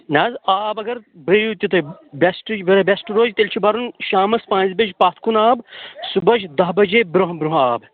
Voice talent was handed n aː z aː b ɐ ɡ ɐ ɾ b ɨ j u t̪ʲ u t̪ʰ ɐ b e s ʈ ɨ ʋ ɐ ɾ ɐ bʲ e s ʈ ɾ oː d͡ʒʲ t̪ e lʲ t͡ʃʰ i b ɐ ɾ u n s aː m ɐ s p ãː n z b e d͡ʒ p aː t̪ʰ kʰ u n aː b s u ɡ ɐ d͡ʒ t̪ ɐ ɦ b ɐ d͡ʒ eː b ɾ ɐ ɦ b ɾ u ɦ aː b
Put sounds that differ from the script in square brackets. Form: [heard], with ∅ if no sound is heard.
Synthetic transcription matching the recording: n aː z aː b ɐ ɡ ɐ ɾ b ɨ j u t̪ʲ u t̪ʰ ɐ b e s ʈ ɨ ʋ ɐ ɾ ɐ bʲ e s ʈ ɾ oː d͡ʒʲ t̪ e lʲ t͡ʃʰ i b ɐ ɾ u n [ʃ] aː m ɐ s p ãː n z b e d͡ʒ p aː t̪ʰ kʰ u n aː b s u [b] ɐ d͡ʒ [d̪] ɐ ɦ b ɐ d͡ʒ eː b ɾ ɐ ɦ b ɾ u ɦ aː b